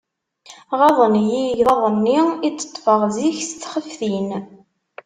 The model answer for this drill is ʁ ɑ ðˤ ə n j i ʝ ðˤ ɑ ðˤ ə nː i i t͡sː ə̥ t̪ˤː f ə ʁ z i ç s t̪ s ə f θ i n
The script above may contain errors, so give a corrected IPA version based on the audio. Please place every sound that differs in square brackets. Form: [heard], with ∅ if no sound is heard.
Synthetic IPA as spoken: ʁ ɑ ðˤ ə n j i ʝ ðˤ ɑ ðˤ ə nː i i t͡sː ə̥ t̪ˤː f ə ʁ z i ç s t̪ [χ] ə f θ i n